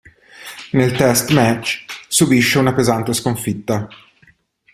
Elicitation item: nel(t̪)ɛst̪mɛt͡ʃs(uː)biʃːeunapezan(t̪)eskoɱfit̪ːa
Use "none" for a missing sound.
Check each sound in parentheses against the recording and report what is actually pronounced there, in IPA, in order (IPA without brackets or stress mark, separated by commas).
t̪, u, t̪